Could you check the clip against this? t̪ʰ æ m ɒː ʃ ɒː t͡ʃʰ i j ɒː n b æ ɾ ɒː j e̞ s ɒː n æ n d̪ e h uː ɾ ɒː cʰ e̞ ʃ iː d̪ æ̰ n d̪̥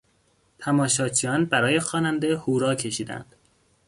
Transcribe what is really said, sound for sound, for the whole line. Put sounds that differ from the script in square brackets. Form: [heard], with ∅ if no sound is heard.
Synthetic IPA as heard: t̪ʰ æ m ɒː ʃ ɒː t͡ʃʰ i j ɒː n b æ ɾ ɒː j e̞ [x] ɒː n æ n d̪ e h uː ɾ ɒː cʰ e̞ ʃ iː d̪ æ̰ n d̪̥